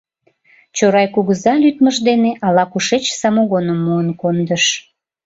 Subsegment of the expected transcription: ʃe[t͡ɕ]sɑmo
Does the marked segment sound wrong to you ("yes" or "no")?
no